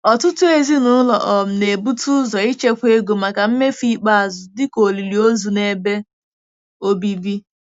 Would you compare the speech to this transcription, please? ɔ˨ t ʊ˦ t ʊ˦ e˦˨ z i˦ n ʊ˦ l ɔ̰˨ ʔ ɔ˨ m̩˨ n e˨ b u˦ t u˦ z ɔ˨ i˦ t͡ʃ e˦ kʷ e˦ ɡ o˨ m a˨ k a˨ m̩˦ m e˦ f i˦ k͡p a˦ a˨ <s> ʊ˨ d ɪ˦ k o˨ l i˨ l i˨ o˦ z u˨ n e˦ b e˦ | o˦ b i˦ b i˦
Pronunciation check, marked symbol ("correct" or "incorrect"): incorrect